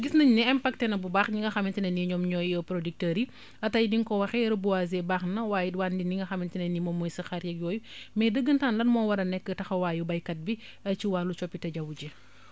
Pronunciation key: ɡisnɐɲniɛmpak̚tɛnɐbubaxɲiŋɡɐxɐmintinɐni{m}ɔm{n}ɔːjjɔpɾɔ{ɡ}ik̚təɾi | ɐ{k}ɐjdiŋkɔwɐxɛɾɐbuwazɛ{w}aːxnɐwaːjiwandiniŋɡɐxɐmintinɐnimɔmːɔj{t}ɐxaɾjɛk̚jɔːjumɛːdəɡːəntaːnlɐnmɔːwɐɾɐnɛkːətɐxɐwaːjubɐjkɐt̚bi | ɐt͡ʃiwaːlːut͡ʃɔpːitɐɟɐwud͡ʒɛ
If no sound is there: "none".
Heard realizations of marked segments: ɲ, ɲ, d, t, b, s

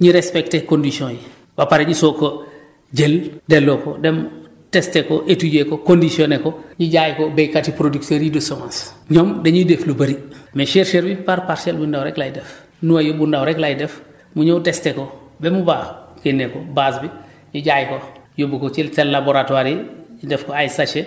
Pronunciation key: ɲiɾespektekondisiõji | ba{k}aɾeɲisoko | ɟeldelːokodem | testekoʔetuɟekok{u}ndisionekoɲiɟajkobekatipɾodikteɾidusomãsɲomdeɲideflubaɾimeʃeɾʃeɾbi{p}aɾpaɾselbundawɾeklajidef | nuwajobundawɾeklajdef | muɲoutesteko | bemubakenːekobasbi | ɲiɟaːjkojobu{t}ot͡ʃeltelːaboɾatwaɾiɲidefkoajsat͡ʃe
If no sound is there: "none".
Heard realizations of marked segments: p, o, p, k

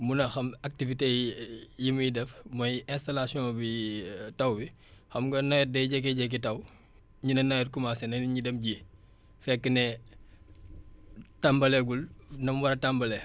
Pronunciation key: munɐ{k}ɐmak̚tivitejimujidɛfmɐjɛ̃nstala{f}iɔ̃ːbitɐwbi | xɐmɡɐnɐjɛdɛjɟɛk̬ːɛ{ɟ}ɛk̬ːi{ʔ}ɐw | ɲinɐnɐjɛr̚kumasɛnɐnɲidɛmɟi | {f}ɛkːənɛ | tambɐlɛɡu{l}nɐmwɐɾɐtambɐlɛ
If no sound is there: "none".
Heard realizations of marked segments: x, s, ɟ, t, f, l

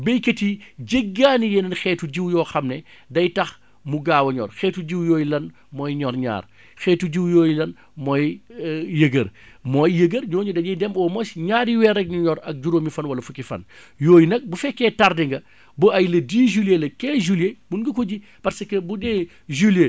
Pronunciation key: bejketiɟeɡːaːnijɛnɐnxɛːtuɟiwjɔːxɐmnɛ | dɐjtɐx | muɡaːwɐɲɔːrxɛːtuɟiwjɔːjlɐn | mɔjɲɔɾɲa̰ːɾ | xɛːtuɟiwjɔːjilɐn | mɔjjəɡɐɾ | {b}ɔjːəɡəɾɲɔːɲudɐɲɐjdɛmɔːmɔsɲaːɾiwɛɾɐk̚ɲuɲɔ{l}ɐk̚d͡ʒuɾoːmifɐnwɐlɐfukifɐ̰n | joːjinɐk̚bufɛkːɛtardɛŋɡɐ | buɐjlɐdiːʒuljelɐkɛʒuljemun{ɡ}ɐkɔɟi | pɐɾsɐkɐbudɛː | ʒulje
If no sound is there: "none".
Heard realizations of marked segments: m, ɾ, ɡ

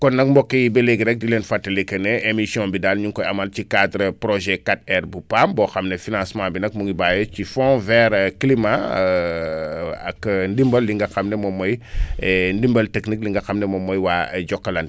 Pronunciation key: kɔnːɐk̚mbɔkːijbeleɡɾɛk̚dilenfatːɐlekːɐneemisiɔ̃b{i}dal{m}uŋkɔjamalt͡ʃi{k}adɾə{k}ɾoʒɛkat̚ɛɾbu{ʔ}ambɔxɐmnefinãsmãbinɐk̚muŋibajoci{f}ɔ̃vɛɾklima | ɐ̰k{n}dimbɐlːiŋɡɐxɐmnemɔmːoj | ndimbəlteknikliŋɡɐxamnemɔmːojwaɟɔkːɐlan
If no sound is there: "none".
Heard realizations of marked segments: i, ɲ, k, p, p, f, n

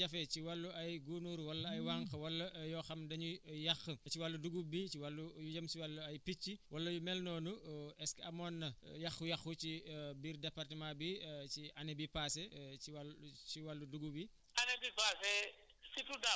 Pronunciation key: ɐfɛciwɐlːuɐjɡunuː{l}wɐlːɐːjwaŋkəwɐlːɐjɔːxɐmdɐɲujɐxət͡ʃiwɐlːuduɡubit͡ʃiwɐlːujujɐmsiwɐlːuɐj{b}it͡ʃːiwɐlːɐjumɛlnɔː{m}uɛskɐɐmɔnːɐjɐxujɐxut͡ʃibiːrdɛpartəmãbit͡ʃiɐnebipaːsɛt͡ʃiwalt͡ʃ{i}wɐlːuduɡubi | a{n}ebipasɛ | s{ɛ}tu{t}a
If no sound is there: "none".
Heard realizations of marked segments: ɾ, p, n, i, n, i, d

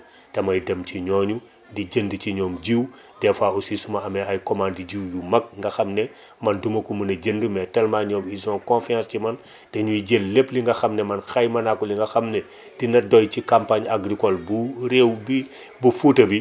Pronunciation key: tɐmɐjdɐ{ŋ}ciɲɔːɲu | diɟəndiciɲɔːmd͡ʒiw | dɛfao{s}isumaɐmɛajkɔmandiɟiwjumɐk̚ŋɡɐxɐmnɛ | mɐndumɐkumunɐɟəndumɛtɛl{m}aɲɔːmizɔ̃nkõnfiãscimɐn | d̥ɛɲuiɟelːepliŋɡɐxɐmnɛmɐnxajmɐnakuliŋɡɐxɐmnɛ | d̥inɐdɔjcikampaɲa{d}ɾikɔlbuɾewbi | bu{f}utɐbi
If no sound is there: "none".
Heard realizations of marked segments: m, s, m, ɡ, f

